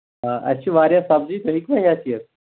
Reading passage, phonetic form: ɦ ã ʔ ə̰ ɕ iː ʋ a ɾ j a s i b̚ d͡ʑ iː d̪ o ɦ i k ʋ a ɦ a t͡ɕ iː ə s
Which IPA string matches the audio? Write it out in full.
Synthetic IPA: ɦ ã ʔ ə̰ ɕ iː ʋ a ɾ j a s a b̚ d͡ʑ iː t̪ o ɦ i k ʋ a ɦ a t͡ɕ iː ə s